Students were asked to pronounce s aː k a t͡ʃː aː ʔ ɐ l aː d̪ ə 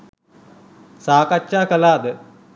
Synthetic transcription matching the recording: s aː k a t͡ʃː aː k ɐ l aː d̪ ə